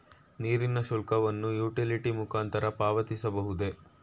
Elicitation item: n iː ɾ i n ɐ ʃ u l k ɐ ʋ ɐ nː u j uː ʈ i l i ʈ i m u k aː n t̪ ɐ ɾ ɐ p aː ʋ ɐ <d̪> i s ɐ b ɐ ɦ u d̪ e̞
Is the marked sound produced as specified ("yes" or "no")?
no